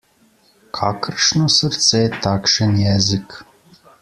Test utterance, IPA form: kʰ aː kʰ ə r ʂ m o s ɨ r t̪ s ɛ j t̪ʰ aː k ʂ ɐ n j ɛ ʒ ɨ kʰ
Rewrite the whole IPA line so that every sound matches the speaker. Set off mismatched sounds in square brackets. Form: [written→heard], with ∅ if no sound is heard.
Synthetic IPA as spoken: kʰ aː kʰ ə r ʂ [m→n] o s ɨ r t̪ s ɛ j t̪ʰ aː k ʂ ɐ n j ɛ [ʒ→z] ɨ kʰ